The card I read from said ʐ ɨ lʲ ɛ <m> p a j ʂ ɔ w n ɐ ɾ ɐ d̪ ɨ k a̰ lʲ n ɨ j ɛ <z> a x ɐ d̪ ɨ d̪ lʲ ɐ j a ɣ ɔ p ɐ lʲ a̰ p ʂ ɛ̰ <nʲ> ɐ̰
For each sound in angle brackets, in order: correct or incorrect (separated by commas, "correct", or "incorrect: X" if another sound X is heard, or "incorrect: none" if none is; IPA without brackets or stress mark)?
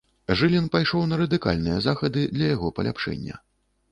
incorrect: n, correct, incorrect: nʲː